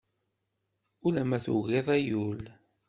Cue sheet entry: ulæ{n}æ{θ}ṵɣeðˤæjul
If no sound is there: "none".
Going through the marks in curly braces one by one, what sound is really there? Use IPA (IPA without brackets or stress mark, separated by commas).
m, θ